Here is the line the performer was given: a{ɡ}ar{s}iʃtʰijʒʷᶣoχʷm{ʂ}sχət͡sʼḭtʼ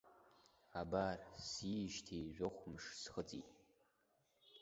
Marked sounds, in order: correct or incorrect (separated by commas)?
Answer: incorrect, correct, correct